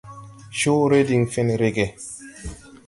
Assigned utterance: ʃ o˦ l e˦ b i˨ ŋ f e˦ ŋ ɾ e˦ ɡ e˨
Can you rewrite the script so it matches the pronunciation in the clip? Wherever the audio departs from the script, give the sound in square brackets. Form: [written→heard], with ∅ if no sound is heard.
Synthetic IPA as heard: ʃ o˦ [l→ɾ] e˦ [b→d] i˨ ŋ f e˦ [ŋ→n] ɾ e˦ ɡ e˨